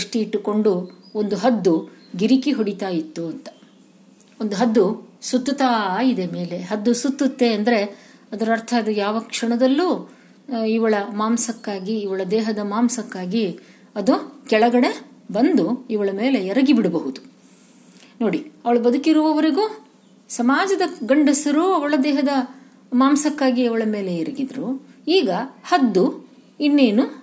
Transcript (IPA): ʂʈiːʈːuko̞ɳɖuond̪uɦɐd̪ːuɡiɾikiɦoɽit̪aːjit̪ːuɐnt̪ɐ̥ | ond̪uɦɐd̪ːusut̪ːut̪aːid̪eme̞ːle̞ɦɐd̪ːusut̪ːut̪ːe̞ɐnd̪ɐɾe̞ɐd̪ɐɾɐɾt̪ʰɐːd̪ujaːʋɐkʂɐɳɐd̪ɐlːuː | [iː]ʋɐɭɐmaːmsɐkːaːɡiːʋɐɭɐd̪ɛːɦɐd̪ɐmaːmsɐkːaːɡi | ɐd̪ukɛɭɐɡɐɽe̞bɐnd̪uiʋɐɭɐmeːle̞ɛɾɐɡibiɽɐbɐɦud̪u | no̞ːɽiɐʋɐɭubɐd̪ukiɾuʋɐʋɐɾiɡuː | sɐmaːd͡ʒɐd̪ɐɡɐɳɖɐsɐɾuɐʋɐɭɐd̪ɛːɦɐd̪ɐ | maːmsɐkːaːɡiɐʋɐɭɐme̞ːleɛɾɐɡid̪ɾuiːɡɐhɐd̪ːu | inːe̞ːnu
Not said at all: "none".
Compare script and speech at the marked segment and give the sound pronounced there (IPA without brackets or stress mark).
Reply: i